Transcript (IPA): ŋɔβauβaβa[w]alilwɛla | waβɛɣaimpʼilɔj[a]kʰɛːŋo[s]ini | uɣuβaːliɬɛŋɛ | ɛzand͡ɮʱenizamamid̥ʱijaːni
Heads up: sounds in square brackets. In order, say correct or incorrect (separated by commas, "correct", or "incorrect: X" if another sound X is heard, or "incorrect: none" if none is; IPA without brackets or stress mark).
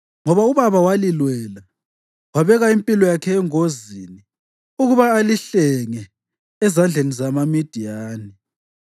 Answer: correct, correct, incorrect: z